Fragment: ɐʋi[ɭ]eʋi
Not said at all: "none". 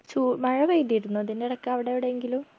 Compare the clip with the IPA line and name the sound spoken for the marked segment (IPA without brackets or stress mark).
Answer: ɽ